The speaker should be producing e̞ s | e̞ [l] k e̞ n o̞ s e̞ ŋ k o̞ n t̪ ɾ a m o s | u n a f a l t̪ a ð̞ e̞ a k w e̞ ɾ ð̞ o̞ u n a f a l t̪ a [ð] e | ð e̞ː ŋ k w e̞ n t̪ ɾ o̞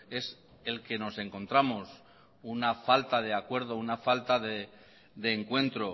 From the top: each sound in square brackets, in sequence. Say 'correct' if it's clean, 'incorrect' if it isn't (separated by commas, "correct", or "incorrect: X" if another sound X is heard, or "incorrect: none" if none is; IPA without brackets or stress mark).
correct, correct